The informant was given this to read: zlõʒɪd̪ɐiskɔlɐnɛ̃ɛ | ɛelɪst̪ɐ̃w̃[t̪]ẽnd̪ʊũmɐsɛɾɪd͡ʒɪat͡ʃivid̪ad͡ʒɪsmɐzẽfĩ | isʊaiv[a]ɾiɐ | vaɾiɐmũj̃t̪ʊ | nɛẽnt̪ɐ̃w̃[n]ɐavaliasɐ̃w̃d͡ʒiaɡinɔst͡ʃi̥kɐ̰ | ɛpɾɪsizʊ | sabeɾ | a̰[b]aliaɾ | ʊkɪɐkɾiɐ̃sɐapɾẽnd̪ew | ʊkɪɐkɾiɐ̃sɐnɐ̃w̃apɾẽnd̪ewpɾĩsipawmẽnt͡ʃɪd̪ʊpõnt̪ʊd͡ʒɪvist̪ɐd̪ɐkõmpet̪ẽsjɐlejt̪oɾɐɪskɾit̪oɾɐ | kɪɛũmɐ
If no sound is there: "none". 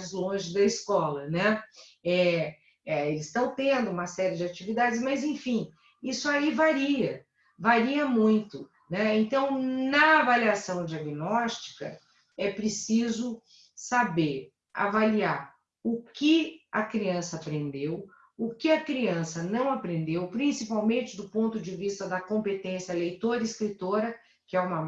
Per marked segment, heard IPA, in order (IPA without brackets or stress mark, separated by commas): t̪, a, n, v